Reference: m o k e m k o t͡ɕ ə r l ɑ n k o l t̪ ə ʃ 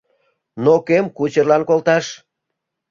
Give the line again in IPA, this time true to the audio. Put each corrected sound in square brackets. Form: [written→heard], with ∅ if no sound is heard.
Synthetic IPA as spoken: [m→n] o k e m k [o→u] t͡ɕ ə r l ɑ n k o l t̪ [ə→ɑ] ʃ